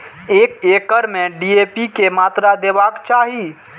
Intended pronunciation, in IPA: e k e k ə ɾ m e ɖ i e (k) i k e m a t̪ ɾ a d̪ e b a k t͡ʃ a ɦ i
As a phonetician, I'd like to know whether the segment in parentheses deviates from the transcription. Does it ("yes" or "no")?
yes